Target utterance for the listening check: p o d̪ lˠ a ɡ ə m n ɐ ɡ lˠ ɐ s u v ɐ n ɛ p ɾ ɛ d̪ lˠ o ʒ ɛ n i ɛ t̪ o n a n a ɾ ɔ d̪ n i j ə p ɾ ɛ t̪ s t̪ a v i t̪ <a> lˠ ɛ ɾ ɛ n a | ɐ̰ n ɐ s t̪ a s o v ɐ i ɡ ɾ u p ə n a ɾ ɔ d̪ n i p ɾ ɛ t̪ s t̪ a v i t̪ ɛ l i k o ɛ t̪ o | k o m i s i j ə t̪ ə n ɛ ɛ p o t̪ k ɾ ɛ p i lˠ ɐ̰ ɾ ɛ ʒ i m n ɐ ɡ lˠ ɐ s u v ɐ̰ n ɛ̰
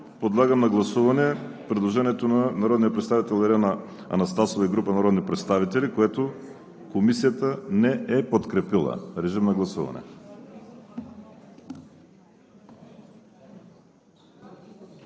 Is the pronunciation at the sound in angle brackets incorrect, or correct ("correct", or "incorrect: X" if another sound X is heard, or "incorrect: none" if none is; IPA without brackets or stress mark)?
incorrect: ɛ